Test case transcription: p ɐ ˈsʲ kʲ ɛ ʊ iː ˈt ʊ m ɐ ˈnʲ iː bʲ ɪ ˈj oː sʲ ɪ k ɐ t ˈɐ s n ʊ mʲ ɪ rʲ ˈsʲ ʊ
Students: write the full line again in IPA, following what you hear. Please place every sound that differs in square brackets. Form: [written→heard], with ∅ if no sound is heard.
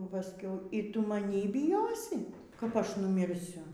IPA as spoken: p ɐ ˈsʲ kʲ ɛ ʊ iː ˈt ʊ m ɐ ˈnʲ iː bʲ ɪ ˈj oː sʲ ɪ k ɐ [t→p] ˈɐ [s→ʃ] n ʊ mʲ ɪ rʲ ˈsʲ ʊ